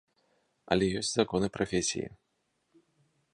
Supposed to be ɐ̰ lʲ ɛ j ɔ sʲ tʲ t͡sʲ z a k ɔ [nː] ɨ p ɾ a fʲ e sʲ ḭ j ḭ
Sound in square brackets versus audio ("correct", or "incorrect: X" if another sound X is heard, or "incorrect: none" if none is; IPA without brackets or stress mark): incorrect: n